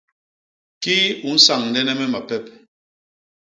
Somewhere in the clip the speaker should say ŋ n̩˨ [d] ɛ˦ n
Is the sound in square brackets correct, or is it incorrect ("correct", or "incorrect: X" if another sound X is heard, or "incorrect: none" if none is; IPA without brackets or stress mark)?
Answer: correct